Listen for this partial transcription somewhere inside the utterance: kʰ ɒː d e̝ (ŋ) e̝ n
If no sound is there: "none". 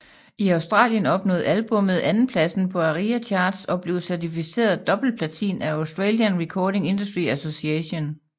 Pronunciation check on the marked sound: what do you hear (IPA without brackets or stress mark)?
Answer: ŋ